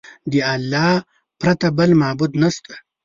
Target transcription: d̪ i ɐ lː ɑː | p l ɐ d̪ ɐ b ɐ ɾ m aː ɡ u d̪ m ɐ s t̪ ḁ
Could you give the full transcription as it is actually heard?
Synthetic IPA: d̪ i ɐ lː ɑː | p ɾ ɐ t̪ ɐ b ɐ l m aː b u d̪ n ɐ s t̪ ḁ